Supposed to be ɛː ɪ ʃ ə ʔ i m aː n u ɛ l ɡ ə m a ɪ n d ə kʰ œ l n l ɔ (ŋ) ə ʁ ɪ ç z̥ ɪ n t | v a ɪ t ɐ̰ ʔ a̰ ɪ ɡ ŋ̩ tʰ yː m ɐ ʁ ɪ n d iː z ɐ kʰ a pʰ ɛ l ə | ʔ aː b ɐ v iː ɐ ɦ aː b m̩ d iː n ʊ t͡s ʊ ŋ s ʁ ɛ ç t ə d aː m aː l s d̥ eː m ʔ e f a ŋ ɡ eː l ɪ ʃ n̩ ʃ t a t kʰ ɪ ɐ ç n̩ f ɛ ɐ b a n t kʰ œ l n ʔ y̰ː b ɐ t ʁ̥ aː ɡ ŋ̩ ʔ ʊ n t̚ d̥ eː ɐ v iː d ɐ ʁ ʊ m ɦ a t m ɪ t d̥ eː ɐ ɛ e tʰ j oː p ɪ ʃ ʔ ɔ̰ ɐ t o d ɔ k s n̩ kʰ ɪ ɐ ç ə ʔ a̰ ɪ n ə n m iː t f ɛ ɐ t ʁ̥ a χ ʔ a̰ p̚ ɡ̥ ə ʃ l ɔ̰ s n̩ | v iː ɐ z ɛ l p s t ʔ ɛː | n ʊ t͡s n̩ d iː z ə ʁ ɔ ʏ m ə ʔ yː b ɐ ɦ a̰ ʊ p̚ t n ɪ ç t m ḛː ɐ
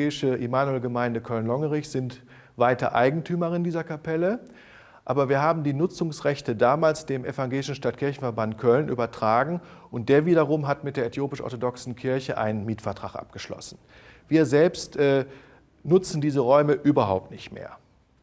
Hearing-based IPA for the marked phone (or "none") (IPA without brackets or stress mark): ŋ